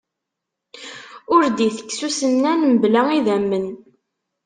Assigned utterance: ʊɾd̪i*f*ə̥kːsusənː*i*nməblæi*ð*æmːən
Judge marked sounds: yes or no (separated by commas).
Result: no, no, yes